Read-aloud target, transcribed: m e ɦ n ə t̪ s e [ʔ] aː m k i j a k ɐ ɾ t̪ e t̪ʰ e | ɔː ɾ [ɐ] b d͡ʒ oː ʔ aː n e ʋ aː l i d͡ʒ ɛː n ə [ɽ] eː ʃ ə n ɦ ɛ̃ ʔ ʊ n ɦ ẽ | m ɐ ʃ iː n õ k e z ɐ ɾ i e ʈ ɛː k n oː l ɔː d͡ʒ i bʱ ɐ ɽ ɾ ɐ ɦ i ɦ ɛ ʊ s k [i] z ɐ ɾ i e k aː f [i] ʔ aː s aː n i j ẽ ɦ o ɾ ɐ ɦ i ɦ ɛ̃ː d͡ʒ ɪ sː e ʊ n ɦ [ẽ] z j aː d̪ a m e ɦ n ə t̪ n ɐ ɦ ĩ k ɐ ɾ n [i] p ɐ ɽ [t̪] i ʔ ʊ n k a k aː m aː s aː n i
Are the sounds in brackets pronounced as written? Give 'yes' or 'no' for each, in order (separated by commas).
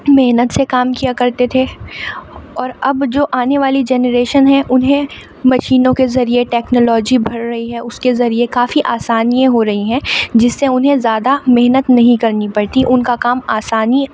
no, yes, no, no, yes, yes, yes, yes